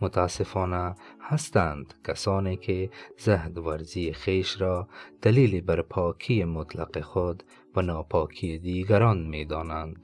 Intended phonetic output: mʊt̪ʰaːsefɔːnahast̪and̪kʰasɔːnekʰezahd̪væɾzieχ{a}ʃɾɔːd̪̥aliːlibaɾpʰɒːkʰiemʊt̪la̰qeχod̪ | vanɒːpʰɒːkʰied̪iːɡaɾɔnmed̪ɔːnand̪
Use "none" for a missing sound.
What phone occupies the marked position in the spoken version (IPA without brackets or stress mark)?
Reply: e